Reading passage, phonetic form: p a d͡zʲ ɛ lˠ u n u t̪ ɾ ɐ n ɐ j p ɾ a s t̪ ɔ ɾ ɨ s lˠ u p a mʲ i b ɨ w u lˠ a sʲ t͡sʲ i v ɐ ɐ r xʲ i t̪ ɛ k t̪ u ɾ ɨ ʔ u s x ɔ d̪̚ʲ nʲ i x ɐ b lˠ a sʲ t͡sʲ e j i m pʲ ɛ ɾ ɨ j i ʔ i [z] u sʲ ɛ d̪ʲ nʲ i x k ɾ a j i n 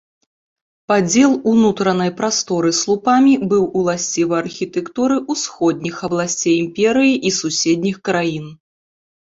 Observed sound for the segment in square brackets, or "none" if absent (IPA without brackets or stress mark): s